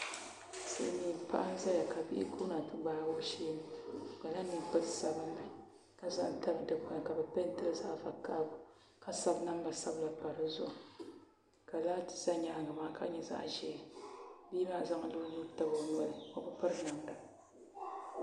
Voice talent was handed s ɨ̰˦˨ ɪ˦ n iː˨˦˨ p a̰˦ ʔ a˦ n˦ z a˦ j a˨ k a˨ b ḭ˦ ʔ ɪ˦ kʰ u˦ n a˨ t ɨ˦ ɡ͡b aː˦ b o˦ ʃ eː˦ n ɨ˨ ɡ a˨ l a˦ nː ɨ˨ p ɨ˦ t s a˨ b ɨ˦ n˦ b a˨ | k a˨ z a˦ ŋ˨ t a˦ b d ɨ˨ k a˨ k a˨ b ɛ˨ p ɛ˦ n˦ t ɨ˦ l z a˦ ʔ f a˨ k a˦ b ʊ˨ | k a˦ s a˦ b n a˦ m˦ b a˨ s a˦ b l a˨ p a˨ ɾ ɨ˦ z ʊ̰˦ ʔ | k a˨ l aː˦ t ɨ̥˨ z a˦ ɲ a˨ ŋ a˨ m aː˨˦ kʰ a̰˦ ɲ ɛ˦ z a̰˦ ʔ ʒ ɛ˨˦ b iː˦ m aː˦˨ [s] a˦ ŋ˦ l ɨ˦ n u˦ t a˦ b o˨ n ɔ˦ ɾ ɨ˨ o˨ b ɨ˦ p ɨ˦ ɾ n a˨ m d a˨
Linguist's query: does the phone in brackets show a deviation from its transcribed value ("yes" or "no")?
yes